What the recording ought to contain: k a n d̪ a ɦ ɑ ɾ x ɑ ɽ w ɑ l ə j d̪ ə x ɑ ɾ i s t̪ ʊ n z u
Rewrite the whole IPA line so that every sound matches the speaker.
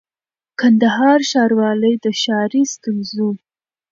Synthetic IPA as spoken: k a n d̪ a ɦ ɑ ɾ ʃ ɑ ɾ w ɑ l ə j d̪ ə ʃ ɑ ɾ i s t̪ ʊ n z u